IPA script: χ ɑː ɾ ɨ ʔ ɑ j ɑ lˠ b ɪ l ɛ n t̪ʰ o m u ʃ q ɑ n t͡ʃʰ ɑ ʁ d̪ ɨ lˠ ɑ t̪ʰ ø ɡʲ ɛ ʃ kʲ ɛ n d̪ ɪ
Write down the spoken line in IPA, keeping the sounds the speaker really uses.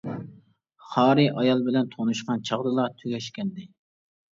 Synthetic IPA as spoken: χ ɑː ɾ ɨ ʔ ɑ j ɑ lˠ b ɪ l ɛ n t̪ʰ o n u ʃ q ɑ n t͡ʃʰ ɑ ʁ d̪ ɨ lˠ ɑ t̪ʰ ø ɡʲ ɛ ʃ kʲ ɛ n d̪ ɪ

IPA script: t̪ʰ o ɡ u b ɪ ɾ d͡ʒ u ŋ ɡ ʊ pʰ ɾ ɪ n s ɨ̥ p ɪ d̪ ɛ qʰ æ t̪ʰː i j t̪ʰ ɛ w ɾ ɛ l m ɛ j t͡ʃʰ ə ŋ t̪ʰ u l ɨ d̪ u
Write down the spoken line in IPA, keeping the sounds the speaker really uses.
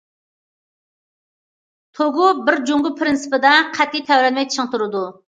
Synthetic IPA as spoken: t̪ʰ o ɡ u b ɪ ɾ d͡ʒ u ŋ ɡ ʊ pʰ ɾ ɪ n s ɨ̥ p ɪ d̪ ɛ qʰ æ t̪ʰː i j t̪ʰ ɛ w ɾ ɛ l m ɛ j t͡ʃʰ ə ŋ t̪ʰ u ɾ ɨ d̪ u

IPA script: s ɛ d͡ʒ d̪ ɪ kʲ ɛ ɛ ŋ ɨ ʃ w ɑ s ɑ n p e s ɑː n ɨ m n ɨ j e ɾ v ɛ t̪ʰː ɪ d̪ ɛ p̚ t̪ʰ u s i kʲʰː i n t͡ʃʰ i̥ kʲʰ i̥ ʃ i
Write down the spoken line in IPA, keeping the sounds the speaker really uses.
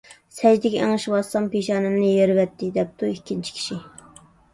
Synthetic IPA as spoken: s ɛ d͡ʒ d̪ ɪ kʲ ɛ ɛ ŋ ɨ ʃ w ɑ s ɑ m p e ʃ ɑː n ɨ m n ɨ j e ɾ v ɛ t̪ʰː ɪ d̪ ɛ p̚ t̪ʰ u i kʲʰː i n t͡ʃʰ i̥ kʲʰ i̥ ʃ i

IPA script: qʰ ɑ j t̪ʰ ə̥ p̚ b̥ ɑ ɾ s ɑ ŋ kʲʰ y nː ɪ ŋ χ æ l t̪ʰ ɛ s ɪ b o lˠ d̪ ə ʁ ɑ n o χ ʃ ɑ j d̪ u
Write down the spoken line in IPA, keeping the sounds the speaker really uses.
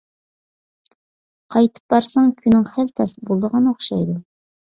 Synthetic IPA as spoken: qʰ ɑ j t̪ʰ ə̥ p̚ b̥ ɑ ɾ s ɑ ŋ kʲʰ y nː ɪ ŋ χ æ l t̪ʰ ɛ s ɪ b o lˠ d̪ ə ʁ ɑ n o χ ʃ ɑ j d̪ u

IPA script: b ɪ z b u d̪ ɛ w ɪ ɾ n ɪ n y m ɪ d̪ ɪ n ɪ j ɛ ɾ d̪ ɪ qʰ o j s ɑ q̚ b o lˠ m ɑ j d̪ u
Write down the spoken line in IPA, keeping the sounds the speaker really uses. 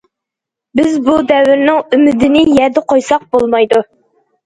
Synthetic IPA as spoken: b ɪ z b u d̪ ɛ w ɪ ɾ n ɪ ŋ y m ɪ d̪ ɪ n ɪ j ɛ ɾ d̪ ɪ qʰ o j s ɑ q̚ b o lˠ m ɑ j d̪ u

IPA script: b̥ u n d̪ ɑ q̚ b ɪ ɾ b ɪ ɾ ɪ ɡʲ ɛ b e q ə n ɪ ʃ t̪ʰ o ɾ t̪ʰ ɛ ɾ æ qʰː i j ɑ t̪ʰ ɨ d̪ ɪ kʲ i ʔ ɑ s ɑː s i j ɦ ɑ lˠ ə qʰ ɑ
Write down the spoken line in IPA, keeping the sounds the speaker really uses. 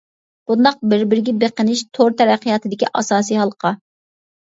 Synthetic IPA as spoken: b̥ u n d̪ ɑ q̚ b ɪ ɾ b ɪ ɾ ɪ ɡʲ ɛ b e q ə n ɪ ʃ t̪ʰ o ɾ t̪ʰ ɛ ɾ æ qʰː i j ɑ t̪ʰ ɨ d̪ ɪ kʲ i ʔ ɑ s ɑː s i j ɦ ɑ lˠ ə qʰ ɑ

